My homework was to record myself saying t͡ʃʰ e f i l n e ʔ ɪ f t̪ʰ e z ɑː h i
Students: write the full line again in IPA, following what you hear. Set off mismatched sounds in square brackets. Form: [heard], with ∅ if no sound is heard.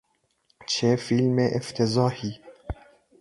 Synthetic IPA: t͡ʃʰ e f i l [m] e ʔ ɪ f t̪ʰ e z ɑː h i